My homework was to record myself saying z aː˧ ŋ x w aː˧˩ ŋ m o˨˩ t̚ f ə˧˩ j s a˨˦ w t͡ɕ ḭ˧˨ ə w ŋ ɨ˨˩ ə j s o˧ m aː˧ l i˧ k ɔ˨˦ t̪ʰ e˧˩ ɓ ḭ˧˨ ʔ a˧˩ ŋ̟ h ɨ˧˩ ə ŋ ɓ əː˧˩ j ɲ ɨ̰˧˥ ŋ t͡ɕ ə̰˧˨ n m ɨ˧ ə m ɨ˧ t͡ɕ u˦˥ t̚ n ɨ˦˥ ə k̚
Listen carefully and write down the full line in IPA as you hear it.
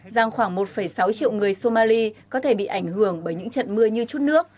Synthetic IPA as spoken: z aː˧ ŋ x w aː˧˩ ŋ m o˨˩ t̚ f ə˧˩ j s a˨˦ w t͡ɕ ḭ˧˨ ə w ŋ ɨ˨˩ ə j s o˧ m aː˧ l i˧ k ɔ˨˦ t̪ʰ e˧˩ ɓ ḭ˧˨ ʔ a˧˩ ŋ̟ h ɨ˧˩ ə ŋ ɓ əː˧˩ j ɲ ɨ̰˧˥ ŋ t͡ɕ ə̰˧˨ n m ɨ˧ ə ɲ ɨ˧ t͡ɕ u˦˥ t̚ n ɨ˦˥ ə k̚